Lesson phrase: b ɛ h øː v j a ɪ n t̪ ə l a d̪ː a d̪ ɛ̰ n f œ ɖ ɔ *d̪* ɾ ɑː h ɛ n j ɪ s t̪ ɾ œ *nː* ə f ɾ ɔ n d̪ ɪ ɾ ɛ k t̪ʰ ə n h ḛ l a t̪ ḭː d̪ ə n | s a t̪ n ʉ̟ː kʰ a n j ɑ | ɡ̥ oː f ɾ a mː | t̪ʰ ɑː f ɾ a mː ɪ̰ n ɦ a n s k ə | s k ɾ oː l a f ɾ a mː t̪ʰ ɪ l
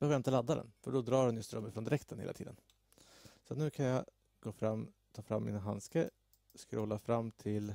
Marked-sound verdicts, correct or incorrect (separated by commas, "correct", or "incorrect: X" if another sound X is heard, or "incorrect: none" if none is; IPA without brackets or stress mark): correct, incorrect: mː